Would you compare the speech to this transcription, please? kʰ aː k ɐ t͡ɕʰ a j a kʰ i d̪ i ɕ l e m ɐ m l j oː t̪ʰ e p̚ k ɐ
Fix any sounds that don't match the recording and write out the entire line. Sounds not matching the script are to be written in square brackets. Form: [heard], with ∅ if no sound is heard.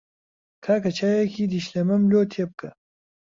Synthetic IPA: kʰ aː k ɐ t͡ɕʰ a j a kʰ i d̪ i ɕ l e m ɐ m l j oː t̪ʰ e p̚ k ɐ